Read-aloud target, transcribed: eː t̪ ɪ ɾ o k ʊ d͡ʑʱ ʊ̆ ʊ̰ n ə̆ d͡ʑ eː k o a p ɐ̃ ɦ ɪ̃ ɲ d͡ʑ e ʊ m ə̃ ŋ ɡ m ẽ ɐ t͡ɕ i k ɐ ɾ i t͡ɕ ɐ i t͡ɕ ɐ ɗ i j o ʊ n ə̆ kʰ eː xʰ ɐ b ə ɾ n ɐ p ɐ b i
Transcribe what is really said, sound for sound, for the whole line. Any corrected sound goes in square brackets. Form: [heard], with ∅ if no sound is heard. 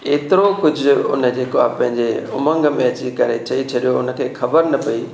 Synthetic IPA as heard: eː t̪ ɪ ɾ o k ʊ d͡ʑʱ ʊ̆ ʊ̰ n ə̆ d͡ʑ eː k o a p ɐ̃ ɦ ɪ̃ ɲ d͡ʑ e ʊ m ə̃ ŋ ɡ m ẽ ɐ t͡ɕ i k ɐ ɾ [e] t͡ɕ ɐ i [t͡ɕʰ] ɐ ɗ i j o ʊ n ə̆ kʰ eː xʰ ɐ b ə ɾ n ɐ p ɐ [∅] i